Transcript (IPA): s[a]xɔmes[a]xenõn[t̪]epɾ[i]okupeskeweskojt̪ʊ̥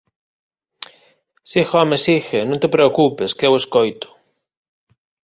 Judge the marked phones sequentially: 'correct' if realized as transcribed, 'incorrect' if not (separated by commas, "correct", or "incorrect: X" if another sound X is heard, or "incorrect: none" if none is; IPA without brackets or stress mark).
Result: incorrect: i, incorrect: i, correct, incorrect: e